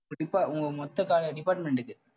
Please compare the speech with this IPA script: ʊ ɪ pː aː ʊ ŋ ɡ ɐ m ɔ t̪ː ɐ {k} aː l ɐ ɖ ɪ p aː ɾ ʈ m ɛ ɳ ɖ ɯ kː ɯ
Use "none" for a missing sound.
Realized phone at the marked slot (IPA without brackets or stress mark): k